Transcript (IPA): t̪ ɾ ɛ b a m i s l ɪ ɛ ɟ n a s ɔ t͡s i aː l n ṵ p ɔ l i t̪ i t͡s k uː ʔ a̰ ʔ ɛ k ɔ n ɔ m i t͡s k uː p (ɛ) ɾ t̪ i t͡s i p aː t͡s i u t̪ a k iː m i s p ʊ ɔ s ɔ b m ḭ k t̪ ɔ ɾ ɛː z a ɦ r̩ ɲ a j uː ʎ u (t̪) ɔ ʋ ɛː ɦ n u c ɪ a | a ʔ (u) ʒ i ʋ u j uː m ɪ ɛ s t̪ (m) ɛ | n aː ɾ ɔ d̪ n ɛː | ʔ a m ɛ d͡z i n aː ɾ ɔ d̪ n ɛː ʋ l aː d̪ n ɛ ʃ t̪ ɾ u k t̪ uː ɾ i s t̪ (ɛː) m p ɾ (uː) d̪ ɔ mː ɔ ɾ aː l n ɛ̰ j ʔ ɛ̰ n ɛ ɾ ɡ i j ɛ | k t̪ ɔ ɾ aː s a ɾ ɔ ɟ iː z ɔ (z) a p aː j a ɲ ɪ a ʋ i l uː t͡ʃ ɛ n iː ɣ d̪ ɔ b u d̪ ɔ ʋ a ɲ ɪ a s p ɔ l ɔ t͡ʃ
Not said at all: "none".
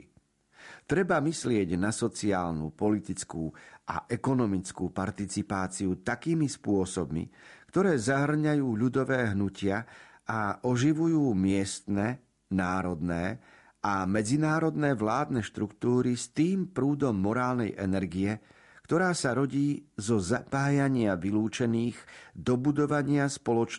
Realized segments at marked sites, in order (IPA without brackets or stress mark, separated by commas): a, d̪, ɔ, n, iː, uː, z